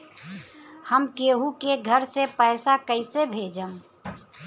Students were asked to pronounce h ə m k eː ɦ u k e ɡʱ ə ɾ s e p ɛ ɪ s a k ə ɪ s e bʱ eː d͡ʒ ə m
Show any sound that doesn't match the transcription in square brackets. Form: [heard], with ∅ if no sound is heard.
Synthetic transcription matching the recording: h ə m k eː ɦ u k e ɡʱ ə ɾ s e p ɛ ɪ s a k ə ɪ s e bʱ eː d͡ʒ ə m